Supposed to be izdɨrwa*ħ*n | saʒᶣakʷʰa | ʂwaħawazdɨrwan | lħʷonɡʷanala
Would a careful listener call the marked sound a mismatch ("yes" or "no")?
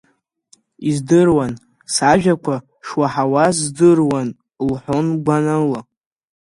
yes